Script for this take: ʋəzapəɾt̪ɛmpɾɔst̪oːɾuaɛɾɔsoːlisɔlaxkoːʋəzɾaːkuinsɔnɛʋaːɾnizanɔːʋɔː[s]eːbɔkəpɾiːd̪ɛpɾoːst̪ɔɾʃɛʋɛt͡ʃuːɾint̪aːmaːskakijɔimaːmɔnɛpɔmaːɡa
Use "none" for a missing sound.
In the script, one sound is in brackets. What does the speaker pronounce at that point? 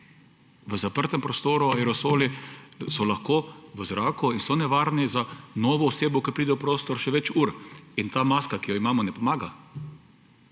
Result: s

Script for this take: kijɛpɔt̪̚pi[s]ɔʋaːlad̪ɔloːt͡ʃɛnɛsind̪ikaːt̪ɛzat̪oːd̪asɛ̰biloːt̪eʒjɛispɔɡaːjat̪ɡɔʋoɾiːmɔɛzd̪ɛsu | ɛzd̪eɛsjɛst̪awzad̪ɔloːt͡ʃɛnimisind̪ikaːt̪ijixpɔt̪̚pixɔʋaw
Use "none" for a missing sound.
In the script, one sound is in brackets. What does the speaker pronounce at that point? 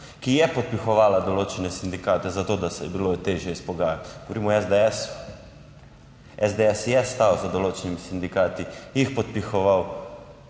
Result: x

